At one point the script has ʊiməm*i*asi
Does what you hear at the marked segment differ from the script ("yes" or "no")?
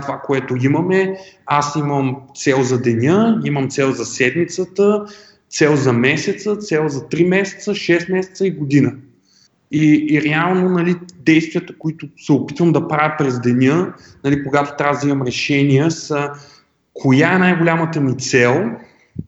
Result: yes